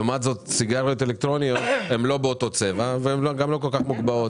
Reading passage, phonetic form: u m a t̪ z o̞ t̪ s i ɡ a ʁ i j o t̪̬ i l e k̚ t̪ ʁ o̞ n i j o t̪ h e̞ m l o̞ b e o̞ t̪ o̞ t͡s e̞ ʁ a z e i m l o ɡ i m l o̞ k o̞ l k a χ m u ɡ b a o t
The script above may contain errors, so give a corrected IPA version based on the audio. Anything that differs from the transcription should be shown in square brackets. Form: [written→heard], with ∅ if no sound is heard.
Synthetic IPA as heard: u m a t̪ z o̞ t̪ s i ɡ a ʁ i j o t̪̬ [i→e] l e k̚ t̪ ʁ o̞ n i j o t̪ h e̞ m l o̞ b e o̞ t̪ o̞ t͡s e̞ [ʁ→v] a [z→v] e [i→e] m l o ɡ [i→a] m l o̞ k o̞ l k a χ m u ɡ b a o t